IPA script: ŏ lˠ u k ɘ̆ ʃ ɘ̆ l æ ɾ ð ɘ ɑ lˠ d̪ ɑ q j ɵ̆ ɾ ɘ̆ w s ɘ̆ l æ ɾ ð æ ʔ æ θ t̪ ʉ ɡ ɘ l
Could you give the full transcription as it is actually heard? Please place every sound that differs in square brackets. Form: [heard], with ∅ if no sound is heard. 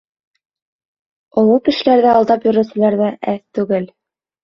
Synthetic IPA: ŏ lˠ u k ɘ̆ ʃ ɘ̆ l æ ɾ ð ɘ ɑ lˠ d̪ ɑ [p] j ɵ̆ ɾ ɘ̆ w s ɘ̆ l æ ɾ ð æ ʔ æ θ t̪ ʉ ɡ ɘ l